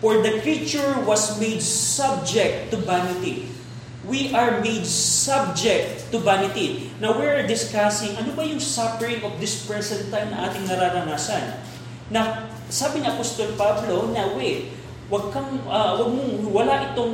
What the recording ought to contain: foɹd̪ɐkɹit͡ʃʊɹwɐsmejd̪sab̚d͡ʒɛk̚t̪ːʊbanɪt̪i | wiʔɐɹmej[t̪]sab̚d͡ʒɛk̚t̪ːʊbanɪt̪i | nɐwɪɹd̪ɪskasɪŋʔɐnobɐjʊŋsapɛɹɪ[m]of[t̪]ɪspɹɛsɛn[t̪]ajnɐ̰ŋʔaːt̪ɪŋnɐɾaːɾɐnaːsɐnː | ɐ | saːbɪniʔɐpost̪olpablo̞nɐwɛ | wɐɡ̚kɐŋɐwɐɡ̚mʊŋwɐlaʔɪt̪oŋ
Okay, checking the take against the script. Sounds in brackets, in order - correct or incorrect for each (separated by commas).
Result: incorrect, incorrect, incorrect, correct